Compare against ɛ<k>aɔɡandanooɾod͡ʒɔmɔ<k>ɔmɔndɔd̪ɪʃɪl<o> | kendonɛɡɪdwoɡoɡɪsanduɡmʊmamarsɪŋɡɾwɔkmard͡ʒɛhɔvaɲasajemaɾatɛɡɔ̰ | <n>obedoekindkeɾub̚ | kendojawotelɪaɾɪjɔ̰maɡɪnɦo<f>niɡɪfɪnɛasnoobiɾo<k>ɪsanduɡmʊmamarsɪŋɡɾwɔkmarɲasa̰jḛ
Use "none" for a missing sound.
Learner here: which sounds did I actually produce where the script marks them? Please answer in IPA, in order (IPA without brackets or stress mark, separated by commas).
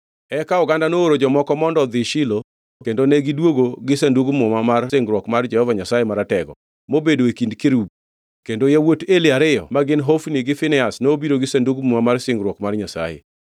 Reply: k, k, o, m, f, ɡ